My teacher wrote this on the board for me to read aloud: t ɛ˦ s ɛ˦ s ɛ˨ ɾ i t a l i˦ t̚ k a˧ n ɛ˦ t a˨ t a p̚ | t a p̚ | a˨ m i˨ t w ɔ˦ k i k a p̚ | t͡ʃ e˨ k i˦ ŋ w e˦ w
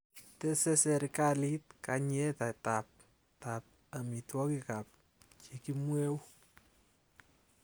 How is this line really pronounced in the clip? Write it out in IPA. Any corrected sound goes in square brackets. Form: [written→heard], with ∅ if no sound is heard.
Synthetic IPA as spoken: t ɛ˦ s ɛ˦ s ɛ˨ ɾ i [t→k] a l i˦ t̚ k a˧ [n→ɲ] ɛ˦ t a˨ t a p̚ | t a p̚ | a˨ m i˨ t w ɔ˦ k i k a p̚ | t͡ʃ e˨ k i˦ [ŋ→m] w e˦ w